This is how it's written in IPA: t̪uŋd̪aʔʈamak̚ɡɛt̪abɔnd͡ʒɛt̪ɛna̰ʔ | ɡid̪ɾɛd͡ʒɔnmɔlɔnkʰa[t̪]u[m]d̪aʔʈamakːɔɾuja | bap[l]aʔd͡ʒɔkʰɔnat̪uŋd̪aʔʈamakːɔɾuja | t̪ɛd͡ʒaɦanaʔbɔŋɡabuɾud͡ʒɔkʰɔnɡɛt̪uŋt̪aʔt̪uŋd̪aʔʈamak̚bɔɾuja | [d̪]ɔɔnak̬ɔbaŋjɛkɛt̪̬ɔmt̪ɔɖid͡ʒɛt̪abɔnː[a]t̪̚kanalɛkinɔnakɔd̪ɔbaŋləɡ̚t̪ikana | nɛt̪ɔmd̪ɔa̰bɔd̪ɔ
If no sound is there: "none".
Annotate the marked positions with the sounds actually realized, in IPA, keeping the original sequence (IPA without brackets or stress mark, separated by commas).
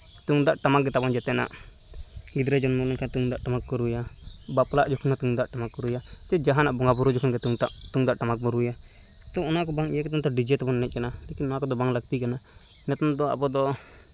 t̪, ŋ, l, t̪, ɛ